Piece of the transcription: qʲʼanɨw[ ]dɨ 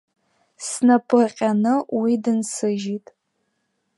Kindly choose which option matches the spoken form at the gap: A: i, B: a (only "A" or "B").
A